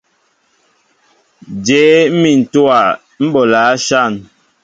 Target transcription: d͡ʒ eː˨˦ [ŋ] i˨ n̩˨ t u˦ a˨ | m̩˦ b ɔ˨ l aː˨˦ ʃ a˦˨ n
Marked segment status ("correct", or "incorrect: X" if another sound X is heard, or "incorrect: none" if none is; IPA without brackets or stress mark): incorrect: m